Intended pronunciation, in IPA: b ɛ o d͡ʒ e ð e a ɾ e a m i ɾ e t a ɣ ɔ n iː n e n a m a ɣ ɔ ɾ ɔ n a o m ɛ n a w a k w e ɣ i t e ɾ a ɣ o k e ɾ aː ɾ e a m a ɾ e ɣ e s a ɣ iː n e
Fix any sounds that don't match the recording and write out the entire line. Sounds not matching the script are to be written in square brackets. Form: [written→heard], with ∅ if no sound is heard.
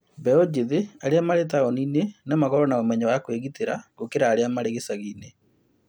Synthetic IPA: b ɛ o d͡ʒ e ð e a ɾ e a m [i→a] ɾ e t a ɣ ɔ n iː n e n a m a ɣ ɔ ɾ ɔ n a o m ɛ [n→ɲ] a w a k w e ɣ i t e ɾ a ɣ o k e ɾ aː ɾ e a m a ɾ e ɣ e s a ɣ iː n e